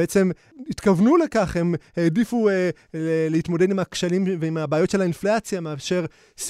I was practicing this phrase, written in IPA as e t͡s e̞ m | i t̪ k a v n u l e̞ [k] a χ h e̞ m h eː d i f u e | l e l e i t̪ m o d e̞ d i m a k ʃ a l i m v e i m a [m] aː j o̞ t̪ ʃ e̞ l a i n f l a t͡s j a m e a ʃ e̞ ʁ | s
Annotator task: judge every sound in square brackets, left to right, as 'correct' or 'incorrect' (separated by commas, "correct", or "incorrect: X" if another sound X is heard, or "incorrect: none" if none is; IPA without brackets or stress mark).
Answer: correct, incorrect: b